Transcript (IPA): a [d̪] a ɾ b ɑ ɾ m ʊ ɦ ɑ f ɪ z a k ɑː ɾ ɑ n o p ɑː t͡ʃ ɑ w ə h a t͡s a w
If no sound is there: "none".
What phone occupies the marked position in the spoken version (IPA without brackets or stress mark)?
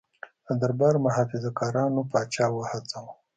d̪